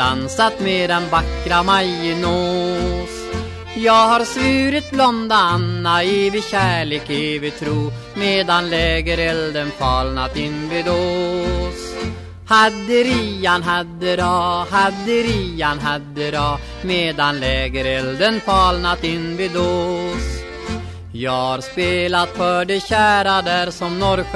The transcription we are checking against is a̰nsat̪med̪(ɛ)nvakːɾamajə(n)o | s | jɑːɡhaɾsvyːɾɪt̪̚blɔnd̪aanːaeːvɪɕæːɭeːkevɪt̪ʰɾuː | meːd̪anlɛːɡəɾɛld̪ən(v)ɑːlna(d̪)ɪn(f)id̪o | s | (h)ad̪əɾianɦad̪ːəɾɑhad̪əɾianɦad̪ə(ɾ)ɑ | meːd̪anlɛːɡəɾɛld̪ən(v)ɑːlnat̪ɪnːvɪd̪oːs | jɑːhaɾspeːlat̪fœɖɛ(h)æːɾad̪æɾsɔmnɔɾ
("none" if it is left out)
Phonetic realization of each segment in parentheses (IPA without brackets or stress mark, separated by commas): ɛ, n, f, t̪, v, h, ɾ, f, ɕ